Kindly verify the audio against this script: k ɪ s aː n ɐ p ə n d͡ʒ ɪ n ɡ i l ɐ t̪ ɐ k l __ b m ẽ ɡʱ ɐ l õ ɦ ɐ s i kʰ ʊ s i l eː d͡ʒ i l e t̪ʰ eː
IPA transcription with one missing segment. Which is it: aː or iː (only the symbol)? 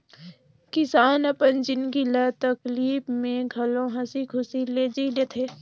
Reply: iː